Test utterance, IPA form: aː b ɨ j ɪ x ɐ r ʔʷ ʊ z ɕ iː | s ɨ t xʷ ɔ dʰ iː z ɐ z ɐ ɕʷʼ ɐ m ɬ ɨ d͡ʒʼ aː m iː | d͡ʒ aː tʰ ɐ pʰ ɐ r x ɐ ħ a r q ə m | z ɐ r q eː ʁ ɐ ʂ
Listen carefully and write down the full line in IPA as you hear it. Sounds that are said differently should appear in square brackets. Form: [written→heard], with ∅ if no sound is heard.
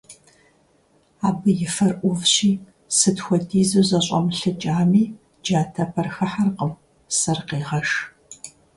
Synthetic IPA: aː b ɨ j ɪ [x→f] ɐ r ʔʷ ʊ [z→v] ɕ iː | s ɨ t xʷ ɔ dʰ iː z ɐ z ɐ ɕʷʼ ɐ m ɬ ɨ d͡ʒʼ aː m iː | d͡ʒ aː tʰ ɐ pʰ ɐ r x ɐ ħ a r q ə m | [z→s] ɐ r q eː ʁ ɐ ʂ